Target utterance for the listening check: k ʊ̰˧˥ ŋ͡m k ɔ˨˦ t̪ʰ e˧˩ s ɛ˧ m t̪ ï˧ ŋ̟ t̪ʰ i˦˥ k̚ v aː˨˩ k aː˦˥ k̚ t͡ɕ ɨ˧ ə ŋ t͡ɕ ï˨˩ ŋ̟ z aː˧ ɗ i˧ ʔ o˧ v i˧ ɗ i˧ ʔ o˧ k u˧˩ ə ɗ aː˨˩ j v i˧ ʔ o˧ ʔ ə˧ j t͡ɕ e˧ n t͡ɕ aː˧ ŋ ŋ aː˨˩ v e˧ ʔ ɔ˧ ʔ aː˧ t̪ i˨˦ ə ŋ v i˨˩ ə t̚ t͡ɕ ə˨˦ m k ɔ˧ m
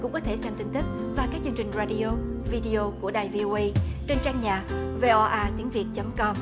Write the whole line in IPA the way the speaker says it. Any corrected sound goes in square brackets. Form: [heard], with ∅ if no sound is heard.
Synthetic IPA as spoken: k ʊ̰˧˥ ŋ͡m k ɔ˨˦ t̪ʰ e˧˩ s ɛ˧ m t̪ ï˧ ŋ̟ [t̪] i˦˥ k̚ v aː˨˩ k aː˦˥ k̚ t͡ɕ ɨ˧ ə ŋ t͡ɕ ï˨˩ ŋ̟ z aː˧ ɗ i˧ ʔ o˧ v i˧ ɗ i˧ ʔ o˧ k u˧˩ ə ɗ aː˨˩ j v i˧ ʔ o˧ ʔ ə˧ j t͡ɕ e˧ n t͡ɕ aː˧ ŋ [ɲ] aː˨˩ v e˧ ʔ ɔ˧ ʔ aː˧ t̪ i˨˦ ə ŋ v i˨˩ ə t̚ t͡ɕ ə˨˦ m k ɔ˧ m